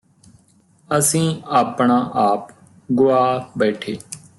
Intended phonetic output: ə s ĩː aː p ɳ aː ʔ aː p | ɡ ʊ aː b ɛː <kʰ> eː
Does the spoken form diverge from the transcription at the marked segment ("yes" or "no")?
yes